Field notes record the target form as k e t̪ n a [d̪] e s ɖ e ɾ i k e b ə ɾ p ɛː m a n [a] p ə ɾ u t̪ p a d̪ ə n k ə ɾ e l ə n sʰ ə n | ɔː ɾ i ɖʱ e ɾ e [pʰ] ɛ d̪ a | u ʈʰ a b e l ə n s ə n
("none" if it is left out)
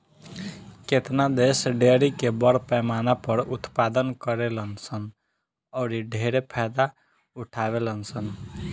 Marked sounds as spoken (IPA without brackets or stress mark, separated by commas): d̪, a, pʰ